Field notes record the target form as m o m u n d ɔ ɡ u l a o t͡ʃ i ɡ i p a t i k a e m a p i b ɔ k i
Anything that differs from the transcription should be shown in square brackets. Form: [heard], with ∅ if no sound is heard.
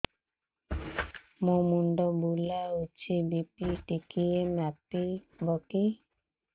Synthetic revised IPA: m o m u n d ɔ [b] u l a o t͡ʃ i [b] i p [i] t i k [i] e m a p i b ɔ k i